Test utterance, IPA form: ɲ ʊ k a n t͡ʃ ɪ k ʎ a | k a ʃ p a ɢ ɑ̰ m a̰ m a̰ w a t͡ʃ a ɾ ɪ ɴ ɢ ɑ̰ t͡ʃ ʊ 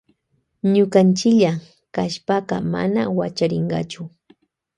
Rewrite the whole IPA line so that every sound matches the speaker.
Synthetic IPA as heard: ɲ ʊ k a n t͡ʃ ɪ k ʎ a | k a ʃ p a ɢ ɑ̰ m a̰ n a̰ w a t͡ʃ a ɾ ɪ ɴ ɢ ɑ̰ t͡ʃ ʊ